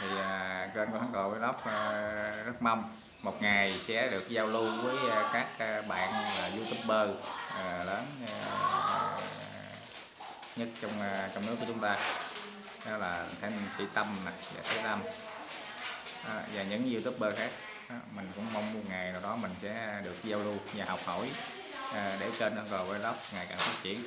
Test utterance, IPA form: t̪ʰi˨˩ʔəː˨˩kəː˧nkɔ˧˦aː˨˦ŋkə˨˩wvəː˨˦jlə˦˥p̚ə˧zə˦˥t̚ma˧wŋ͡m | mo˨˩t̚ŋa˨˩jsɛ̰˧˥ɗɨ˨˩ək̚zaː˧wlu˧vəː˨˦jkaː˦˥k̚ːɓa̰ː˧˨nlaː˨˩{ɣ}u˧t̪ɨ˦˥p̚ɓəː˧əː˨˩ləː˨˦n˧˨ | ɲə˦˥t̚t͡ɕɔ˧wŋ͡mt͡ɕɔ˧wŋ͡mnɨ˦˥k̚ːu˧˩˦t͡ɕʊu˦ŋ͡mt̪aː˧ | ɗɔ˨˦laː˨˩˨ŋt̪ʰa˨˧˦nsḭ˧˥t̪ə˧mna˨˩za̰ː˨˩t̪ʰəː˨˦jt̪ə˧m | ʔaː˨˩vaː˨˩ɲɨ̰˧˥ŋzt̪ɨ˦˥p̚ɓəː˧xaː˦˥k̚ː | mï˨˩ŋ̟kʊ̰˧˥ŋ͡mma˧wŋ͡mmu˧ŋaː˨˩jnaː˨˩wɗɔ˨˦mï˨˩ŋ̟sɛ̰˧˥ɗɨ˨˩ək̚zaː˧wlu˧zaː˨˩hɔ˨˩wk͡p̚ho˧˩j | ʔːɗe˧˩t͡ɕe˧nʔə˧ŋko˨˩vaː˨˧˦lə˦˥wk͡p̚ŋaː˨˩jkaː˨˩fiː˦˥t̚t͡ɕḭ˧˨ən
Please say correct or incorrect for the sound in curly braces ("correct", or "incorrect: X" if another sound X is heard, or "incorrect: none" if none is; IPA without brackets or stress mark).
incorrect: z